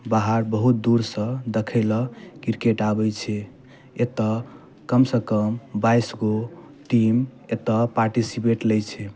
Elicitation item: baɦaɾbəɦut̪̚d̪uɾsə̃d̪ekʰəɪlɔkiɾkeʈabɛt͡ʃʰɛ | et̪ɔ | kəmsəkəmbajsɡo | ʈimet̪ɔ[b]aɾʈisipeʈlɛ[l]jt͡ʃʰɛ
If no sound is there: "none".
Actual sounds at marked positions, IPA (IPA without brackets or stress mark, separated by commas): p, none